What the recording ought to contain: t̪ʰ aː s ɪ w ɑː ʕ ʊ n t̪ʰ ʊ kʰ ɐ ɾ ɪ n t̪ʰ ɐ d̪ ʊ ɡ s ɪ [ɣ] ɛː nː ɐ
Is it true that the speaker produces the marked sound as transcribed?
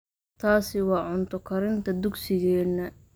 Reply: yes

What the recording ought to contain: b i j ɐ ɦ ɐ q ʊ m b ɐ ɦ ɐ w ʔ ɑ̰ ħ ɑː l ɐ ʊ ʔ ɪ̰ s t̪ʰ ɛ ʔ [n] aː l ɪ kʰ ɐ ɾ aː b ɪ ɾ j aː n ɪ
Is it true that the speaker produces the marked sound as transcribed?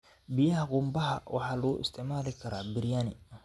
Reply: no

